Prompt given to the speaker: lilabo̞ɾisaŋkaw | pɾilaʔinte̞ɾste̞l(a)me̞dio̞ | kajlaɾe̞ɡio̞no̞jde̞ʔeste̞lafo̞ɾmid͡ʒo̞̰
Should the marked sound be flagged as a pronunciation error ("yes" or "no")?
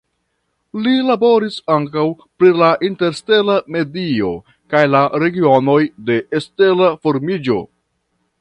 no